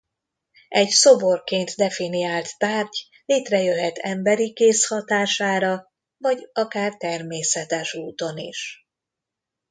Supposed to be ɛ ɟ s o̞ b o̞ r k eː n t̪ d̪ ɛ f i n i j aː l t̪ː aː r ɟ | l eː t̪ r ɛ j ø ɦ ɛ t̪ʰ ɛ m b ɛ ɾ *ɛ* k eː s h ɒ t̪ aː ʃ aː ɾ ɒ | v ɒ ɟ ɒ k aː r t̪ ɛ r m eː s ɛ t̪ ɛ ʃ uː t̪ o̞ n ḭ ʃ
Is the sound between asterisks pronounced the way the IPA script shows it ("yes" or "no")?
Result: no